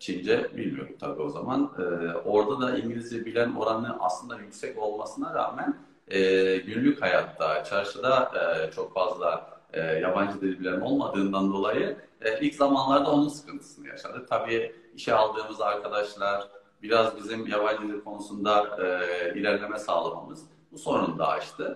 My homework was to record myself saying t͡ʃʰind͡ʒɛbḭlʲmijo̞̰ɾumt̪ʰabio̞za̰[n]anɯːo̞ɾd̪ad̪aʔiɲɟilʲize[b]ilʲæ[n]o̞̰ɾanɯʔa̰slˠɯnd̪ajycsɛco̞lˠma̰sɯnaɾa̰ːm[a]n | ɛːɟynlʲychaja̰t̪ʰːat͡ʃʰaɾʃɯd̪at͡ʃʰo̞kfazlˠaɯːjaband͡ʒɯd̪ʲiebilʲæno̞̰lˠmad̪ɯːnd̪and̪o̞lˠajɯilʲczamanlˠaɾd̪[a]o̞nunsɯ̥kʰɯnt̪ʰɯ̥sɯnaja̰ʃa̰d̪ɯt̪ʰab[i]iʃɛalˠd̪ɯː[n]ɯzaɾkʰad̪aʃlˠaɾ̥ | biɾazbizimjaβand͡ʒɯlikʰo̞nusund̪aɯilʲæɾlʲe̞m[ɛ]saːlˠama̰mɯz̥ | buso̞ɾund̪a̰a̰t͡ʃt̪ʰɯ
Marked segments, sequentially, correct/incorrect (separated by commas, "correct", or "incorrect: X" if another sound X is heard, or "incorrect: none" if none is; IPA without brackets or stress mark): incorrect: m, correct, correct, incorrect: æ, correct, incorrect: iː, incorrect: m, correct